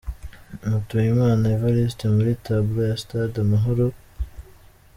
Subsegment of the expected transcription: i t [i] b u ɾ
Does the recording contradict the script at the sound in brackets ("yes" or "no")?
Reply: yes